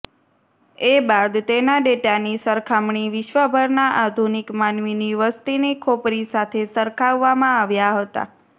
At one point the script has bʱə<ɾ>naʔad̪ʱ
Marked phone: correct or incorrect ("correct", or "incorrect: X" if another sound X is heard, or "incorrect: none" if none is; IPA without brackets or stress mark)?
correct